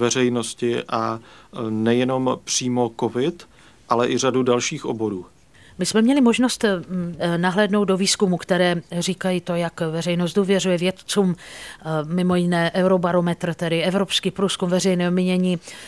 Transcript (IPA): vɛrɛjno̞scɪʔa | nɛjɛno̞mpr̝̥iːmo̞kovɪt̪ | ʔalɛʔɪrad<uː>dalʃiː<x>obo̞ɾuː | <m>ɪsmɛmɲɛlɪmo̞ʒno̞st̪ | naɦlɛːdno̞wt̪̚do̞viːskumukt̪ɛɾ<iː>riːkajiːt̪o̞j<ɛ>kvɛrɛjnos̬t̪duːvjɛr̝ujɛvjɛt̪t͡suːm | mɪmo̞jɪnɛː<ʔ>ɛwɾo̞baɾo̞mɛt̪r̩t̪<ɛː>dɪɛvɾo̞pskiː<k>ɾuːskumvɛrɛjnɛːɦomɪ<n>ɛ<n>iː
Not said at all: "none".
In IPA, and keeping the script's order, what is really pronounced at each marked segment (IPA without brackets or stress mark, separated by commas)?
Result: u, x, m, ɛː, a, ʔ, ɛ, p, ɲ, ɲ